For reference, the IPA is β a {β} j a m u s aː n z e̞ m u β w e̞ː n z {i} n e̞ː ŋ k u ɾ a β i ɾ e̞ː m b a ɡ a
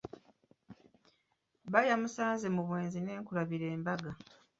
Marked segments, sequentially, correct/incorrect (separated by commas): incorrect, correct